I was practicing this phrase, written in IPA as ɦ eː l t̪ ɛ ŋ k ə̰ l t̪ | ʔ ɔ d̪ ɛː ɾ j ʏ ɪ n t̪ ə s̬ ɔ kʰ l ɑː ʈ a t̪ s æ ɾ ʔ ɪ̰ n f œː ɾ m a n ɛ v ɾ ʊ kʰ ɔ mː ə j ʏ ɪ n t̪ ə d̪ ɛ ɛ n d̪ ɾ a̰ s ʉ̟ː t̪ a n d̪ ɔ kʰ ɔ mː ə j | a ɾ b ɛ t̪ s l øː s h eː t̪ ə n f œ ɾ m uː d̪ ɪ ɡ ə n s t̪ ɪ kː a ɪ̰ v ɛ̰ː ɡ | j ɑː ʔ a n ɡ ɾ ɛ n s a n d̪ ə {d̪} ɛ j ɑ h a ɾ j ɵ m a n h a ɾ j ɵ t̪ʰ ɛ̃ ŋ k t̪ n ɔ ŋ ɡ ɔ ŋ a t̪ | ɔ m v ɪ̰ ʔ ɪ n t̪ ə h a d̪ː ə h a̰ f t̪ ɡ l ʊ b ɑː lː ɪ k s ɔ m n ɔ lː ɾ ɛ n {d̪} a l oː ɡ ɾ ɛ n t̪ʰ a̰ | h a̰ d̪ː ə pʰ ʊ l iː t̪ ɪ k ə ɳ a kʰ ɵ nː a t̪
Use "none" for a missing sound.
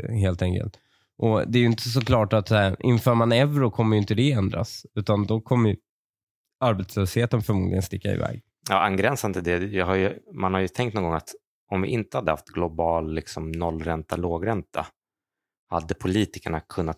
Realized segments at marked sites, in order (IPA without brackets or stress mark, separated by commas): d̪, t̪